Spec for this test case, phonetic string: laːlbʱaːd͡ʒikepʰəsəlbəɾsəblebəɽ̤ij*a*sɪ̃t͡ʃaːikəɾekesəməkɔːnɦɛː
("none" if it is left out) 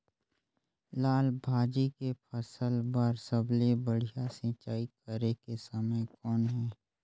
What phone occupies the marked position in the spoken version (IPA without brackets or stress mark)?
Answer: a